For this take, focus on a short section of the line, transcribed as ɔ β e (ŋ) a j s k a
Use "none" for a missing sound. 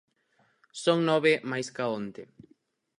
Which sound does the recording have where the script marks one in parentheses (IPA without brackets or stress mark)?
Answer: m